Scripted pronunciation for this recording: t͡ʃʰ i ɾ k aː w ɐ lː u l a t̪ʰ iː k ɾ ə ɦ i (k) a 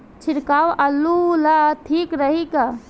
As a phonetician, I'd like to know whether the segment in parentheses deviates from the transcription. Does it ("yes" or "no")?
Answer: no